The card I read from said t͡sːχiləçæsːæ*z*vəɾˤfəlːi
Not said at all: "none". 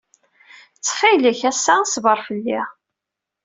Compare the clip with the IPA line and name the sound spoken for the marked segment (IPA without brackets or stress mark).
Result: s